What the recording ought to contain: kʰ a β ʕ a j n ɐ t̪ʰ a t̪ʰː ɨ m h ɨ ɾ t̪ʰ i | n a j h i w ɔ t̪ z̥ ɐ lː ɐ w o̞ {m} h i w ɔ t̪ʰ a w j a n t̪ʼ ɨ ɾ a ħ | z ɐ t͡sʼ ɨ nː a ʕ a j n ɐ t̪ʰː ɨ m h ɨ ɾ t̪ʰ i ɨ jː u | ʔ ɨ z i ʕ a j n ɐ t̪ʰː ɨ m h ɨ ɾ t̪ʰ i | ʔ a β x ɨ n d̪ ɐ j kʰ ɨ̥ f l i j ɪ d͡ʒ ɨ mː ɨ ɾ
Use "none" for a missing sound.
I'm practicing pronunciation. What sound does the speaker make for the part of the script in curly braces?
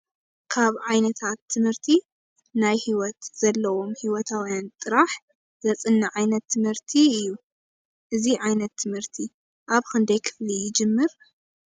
m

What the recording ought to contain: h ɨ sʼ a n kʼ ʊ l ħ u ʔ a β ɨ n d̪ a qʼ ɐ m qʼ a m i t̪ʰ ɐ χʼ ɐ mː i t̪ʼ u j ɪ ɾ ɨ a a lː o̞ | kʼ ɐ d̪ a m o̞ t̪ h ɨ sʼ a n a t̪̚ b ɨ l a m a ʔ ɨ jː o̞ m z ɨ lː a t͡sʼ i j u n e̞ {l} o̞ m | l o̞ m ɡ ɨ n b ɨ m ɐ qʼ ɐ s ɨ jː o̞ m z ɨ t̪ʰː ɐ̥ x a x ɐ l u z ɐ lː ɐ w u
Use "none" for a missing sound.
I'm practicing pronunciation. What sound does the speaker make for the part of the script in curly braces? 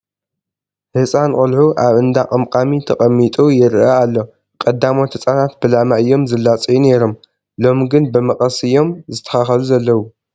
ɾ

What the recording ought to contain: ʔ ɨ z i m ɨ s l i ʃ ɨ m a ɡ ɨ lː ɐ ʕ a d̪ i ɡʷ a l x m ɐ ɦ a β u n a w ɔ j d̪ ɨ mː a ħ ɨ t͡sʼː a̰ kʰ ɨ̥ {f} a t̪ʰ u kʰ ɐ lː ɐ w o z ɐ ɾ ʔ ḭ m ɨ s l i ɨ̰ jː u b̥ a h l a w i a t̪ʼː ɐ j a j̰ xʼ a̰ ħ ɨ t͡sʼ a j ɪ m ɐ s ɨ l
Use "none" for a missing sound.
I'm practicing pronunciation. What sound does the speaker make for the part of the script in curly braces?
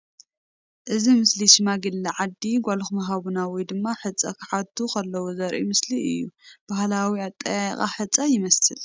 ħ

